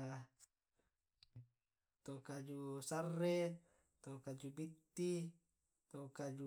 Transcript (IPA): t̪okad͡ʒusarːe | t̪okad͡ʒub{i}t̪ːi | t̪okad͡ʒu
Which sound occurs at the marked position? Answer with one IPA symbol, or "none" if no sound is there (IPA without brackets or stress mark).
i